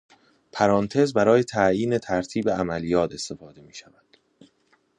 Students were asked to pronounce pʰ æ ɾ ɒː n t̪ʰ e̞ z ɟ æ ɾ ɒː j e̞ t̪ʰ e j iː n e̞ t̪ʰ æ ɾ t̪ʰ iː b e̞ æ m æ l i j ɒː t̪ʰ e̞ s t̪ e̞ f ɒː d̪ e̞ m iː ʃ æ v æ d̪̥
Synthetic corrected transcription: pʰ æ ɾ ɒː n t̪ʰ e̞ z b æ ɾ ɒː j e̞ t̪ʰ æ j iː n e̞ t̪ʰ æ ɾ t̪ʰ iː b e̞ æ m æ l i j ɒː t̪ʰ e̞ s t̪ e̞ f ɒː d̪ e̞ m iː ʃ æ v æ d̪̥